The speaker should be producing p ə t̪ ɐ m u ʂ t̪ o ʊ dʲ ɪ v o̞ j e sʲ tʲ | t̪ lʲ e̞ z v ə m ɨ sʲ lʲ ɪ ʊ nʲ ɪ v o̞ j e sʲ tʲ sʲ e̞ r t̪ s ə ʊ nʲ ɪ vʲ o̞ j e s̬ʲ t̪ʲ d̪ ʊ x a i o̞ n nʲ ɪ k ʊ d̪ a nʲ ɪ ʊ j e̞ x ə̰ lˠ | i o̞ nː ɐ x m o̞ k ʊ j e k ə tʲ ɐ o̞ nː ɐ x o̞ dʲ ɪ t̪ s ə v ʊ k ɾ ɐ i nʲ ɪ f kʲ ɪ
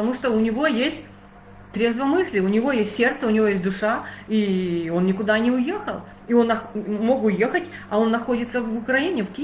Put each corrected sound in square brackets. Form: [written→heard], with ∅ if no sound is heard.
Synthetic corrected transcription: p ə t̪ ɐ m u ʂ t̪ o ʊ [dʲ→nʲ] ɪ v o̞ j e sʲ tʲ | t̪ [lʲ→ɾʲ] e̞ z v ə m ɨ sʲ lʲ ɪ ʊ nʲ ɪ v o̞ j e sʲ tʲ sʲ e̞ r t̪ s ə ʊ nʲ ɪ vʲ o̞ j e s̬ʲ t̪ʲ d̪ ʊ [x→ʂ] a i o̞ n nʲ ɪ k ʊ d̪ a nʲ ɪ ʊ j e̞ x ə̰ lˠ | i o̞ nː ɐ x m o̞ k ʊ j e [k→x] ə tʲ ɐ o̞ nː ɐ x o̞ dʲ ɪ t̪ s ə v ʊ k ɾ ɐ i nʲ ɪ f kʲ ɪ